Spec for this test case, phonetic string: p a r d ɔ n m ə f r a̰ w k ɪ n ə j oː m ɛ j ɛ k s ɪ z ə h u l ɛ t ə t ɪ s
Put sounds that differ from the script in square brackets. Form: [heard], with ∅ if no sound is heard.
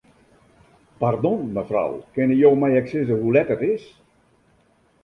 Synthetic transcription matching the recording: p a r d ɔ n m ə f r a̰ w k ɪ n ə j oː m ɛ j ɛ k s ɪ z ə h u l ɛ t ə t ɪ s